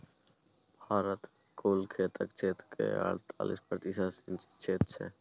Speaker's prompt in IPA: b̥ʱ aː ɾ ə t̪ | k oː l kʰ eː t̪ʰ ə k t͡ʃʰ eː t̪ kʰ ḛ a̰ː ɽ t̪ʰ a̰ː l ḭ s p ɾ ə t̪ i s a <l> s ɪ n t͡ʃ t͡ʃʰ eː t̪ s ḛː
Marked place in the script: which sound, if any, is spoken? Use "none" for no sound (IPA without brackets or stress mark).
none